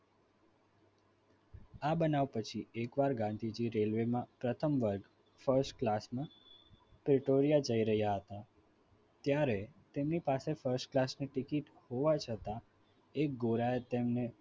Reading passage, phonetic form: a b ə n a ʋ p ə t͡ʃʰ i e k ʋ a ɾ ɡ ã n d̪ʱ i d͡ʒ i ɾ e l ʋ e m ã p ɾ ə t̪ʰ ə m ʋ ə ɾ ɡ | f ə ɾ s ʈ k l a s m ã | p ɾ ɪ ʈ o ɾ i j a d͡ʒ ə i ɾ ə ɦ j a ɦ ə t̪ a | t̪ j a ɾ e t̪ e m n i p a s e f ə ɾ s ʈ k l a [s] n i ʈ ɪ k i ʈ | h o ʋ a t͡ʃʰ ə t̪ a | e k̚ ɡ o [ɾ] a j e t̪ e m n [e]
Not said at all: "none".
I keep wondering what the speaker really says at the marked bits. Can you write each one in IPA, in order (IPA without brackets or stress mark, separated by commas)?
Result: s, ɾ, e